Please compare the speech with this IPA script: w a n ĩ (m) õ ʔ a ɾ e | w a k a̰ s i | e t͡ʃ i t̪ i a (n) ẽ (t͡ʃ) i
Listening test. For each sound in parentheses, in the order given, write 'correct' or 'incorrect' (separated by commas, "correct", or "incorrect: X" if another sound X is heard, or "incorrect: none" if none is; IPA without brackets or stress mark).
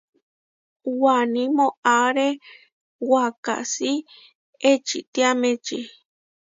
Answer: correct, incorrect: m, correct